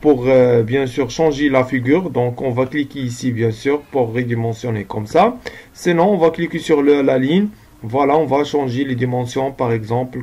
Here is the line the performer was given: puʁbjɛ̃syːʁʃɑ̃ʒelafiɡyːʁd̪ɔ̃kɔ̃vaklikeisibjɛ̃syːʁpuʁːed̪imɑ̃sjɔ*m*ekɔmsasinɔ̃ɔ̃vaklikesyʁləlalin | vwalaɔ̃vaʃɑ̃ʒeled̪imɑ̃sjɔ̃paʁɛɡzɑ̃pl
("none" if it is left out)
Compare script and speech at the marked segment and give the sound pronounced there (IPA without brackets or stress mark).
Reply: n